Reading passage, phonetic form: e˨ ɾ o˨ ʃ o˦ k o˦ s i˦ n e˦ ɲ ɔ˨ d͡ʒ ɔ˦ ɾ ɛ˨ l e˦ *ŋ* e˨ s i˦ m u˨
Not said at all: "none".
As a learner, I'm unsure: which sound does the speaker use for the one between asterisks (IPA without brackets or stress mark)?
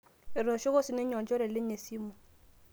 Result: ɲ